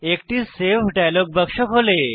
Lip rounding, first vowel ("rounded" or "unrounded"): unrounded